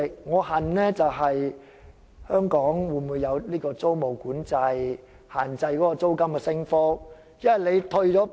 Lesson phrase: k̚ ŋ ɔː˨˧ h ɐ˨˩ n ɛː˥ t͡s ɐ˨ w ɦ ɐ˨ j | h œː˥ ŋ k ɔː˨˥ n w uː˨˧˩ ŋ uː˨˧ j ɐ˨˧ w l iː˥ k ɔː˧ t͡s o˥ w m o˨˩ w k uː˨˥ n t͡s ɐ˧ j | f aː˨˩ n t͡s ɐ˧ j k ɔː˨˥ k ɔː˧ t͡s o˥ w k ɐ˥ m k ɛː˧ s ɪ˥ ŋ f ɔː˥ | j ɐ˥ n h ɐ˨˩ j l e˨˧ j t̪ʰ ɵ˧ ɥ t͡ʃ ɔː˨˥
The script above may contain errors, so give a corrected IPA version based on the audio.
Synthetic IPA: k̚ ŋ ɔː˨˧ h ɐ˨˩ n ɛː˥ t͡s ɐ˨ w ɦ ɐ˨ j | h œː˥ ŋ k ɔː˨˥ ŋ w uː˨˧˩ m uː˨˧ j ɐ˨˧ w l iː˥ k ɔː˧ t͡s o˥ w m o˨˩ w k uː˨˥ n t͡s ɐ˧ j | h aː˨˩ n t͡s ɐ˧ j k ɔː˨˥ k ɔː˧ t͡s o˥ w k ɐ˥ m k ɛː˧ s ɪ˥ ŋ f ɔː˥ | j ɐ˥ n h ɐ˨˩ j l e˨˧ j t̪ʰ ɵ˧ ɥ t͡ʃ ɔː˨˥